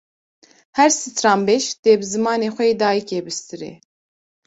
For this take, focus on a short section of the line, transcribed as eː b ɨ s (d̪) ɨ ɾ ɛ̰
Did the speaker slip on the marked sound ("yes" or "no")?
yes